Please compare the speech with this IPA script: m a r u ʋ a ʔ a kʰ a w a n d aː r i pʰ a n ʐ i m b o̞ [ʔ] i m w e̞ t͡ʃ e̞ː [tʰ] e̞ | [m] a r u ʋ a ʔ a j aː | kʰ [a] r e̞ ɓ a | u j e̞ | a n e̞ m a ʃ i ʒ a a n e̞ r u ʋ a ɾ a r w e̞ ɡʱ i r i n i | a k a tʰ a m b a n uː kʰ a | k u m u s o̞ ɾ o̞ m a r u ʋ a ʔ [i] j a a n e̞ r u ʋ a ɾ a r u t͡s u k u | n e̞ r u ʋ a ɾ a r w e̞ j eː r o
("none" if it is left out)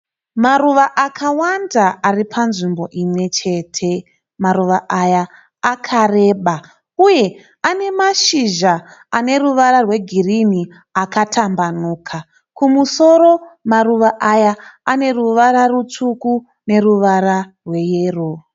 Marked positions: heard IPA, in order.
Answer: ʔ, tʰ, m, a, a

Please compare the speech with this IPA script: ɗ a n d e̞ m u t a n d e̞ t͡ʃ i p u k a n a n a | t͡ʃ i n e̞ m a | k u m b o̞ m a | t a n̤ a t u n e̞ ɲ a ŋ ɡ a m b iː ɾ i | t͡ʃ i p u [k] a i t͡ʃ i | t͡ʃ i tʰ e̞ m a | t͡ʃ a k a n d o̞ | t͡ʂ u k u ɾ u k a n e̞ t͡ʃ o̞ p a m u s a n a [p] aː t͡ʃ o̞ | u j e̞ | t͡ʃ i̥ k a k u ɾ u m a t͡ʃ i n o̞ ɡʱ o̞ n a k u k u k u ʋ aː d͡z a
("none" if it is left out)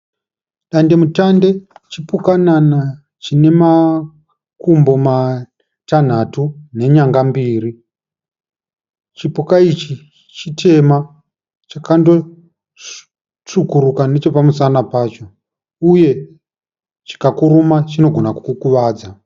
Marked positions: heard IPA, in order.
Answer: k, p

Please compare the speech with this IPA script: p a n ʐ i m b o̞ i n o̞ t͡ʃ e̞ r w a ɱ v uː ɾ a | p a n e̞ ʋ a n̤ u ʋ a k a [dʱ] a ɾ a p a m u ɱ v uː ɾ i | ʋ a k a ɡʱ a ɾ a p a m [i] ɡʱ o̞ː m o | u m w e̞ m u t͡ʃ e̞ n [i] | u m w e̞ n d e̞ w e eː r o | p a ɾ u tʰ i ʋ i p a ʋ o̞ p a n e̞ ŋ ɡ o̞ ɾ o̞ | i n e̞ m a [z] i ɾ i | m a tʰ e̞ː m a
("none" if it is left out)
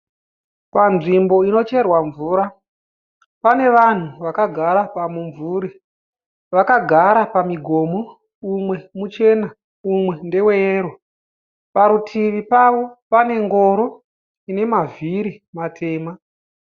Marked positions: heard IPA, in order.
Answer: ɡʱ, i, a, v

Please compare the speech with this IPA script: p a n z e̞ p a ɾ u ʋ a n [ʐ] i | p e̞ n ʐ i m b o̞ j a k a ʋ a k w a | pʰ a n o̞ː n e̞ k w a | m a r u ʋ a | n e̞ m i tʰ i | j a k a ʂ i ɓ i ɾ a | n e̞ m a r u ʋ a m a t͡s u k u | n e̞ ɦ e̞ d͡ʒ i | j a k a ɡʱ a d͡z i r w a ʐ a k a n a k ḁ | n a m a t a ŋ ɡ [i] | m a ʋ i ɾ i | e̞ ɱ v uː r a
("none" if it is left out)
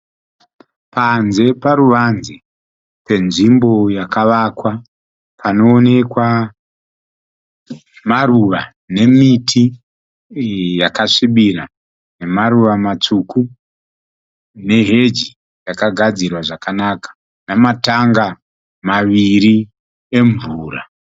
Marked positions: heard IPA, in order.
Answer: z, a

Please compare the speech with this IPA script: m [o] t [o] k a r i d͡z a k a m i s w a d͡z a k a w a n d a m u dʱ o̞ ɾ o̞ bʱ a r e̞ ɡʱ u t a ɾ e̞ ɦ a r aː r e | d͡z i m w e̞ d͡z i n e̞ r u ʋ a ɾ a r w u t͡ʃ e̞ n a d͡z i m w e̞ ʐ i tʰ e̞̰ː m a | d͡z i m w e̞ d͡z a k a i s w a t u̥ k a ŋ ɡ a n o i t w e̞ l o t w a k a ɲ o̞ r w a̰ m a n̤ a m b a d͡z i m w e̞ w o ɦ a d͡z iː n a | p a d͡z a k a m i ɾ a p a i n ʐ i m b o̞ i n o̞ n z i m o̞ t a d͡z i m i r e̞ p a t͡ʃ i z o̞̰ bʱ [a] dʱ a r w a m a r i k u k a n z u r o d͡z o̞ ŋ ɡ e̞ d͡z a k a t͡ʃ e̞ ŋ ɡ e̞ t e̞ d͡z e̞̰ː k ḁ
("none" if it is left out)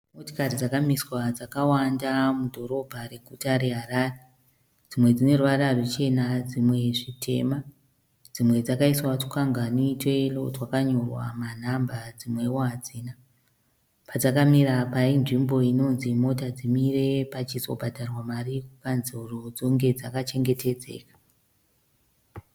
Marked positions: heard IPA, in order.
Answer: o, o, a

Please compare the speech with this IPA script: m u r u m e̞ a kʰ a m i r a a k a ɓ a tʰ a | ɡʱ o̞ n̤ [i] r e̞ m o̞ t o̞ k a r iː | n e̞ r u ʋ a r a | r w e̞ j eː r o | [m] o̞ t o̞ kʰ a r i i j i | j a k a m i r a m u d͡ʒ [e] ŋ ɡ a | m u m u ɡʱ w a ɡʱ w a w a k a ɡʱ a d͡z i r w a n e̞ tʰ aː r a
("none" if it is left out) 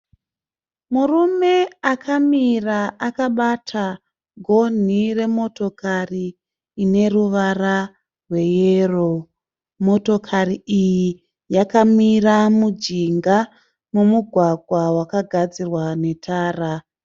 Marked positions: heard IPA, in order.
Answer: i, m, i

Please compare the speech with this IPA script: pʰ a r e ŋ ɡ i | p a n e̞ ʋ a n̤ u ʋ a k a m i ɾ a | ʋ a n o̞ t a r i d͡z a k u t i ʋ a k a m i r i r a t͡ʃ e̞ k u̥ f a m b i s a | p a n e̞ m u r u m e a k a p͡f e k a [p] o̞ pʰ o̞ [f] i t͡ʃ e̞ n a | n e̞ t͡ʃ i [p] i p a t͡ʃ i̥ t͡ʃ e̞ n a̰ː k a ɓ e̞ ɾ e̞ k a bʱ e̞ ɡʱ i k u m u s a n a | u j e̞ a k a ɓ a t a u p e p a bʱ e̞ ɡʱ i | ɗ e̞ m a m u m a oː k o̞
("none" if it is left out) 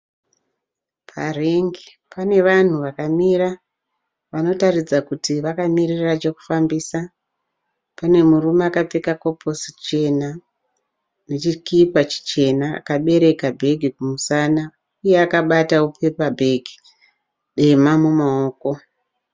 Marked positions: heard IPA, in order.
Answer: k, s, k

